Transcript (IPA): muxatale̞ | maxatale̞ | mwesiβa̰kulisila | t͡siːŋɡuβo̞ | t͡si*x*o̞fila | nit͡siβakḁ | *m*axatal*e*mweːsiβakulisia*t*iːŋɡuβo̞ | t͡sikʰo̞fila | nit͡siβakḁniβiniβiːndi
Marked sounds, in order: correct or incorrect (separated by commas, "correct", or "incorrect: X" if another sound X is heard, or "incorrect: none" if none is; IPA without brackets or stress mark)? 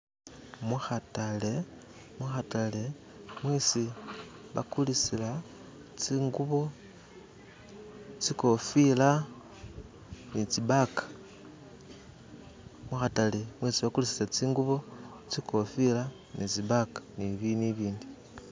incorrect: k, correct, correct, incorrect: t͡s